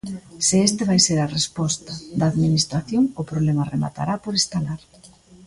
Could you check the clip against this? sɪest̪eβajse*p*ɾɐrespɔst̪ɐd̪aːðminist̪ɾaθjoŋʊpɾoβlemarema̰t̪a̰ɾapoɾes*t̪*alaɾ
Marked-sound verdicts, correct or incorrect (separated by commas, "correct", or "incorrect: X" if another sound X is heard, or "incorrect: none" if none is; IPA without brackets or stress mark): incorrect: none, correct